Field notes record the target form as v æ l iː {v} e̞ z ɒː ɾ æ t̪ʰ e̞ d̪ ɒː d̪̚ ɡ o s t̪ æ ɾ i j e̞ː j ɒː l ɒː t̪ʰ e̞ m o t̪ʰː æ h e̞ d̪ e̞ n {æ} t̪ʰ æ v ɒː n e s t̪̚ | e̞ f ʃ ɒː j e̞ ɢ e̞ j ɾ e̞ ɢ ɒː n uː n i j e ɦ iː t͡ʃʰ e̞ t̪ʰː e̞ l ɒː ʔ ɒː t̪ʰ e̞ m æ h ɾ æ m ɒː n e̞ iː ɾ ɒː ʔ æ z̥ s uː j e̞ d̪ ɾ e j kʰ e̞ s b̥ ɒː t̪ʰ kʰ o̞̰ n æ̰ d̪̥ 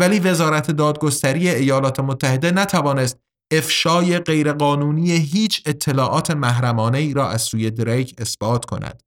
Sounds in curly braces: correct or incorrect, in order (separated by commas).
correct, correct